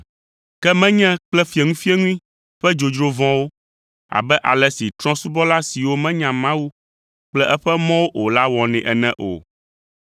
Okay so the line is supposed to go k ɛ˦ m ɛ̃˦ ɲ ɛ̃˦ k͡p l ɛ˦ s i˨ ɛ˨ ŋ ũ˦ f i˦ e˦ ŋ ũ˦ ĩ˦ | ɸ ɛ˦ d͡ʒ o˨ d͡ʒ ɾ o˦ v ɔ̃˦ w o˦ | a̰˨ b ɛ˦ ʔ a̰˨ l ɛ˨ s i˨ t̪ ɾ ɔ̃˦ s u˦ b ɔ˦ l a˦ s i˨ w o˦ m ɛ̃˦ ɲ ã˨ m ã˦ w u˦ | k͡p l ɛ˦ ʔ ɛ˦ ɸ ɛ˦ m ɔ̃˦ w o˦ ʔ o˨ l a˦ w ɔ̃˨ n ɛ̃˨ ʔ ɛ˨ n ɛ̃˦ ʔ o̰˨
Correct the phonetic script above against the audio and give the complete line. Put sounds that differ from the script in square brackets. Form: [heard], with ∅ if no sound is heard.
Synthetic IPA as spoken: k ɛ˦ m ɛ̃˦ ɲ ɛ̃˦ k͡p l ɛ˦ [f] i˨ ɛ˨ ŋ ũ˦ f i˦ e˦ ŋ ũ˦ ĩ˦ | ɸ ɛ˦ d͡ʒ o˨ d͡ʒ ɾ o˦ v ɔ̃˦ w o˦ | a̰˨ b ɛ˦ ʔ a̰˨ l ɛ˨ s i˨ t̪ ɾ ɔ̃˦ s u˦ b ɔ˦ l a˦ s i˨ w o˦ m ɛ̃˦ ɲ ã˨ m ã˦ w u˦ | k͡p l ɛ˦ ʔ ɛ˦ ɸ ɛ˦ m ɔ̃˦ w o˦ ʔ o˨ l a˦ w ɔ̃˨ n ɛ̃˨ ʔ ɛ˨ n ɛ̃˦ ʔ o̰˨